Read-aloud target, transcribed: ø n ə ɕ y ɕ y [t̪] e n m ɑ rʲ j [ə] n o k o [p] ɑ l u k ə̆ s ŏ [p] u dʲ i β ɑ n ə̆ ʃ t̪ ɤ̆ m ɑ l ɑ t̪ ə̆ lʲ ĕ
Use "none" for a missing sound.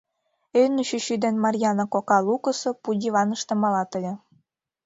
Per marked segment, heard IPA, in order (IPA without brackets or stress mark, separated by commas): d̪, ɑ, k, p